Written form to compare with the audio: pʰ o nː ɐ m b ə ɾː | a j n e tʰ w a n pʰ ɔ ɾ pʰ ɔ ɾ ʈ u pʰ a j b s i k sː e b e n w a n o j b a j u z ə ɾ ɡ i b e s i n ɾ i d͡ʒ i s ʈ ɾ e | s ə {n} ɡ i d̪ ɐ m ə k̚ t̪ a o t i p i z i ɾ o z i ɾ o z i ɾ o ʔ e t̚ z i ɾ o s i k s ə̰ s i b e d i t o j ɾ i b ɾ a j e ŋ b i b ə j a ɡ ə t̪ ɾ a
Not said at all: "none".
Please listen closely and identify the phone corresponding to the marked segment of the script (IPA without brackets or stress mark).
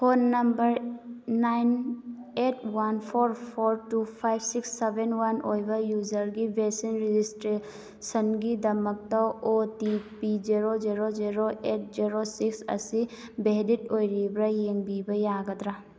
n